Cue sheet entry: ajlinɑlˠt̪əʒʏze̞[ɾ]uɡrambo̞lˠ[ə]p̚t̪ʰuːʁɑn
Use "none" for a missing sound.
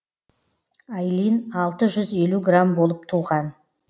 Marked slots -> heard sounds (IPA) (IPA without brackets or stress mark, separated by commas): l, ə